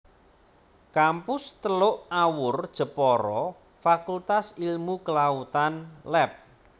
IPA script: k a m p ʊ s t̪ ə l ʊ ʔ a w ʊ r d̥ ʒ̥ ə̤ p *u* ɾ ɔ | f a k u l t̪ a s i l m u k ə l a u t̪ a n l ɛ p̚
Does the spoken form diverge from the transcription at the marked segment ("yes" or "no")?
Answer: yes